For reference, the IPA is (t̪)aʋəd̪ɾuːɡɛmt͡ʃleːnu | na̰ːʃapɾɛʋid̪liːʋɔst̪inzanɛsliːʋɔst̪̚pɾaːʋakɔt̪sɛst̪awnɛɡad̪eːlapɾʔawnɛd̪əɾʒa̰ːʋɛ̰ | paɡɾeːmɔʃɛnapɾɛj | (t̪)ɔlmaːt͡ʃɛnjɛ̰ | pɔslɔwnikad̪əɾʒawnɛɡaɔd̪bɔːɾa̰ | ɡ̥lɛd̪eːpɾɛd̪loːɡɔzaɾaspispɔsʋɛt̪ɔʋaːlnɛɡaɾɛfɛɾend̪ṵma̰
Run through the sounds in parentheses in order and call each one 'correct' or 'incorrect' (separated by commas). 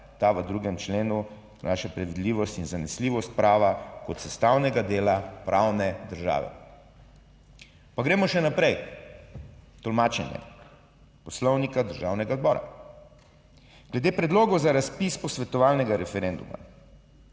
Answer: correct, correct